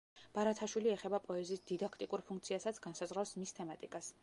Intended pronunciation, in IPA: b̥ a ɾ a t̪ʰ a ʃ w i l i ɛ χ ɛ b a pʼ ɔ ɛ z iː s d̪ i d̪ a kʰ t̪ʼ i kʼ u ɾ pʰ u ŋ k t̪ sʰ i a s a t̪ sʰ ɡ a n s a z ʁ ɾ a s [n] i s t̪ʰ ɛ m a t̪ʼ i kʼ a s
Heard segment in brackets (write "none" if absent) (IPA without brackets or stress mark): m